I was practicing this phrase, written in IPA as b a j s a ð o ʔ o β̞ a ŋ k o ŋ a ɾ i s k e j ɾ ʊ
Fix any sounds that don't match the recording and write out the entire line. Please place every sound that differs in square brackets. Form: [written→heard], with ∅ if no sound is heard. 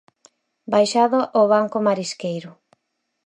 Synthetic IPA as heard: b a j [s→ʃ] a ð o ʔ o β̞ a ŋ k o [ŋ→m] a ɾ i s k e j ɾ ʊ